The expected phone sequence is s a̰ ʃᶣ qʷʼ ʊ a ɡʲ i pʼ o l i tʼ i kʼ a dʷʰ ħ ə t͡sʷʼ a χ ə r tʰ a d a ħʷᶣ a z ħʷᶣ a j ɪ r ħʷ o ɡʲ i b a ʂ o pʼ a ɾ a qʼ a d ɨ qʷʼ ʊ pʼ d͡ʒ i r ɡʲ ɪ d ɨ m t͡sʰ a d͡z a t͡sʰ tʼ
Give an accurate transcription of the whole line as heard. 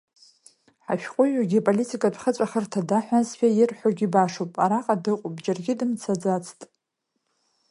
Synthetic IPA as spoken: ħ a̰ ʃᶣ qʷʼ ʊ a ɡʲ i pʼ o l i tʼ i kʼ a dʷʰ χ ə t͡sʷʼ a χ ə r tʰ a d a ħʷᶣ a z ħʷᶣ a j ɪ r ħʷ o ɡʲ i b a ʂ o pʼ a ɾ a qʼ a d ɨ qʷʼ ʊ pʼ d͡ʒ a r ɡʲ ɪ d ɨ m t͡sʰ a d͡z a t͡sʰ tʼ